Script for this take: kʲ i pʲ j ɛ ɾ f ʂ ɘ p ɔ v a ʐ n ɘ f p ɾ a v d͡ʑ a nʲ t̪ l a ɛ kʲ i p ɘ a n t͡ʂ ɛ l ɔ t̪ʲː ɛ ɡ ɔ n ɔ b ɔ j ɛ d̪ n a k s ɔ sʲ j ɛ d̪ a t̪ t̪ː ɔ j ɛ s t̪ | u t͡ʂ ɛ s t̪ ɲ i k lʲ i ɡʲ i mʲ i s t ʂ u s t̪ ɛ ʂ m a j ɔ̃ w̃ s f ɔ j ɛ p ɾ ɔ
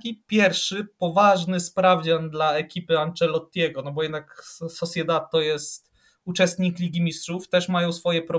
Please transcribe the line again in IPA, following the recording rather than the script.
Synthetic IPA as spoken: kʲ i pʲ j ɛ ɾ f ʂ ɘ p ɔ v a ʐ n ɘ s p ɾ a v d͡ʑ a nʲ d̪ l a ɛ kʲ i p ɘ a n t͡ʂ ɛ l ɔ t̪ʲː ɛ ɡ ɔ n ɔ b ɔ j ɛ d̪ n a k s ɔ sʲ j ɛ d̪ a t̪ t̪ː ɔ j ɛ s t̪ | u t͡ʂ ɛ s t̪ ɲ i k lʲ i ɡʲ i mʲ i s t ʂ u f t̪ ɛ ʂ m a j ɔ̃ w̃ s f ɔ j ɛ p ɾ ɔ